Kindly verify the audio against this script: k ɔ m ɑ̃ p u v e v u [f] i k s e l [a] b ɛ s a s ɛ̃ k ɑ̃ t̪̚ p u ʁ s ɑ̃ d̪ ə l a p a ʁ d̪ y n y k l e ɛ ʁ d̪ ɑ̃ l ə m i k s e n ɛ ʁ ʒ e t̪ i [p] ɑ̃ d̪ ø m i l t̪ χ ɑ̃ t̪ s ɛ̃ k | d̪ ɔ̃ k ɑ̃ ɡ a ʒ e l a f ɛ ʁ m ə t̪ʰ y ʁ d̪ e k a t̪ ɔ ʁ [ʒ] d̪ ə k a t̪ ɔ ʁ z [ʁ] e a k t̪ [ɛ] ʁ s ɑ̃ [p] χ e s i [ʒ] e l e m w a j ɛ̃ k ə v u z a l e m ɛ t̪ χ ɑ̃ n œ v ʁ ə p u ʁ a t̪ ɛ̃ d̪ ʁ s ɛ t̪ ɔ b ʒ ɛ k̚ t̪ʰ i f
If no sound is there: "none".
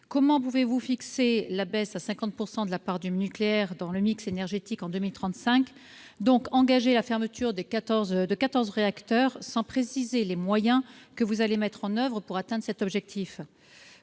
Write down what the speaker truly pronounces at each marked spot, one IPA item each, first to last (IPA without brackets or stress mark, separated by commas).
f, a, k, z, ʁ, œ, p, z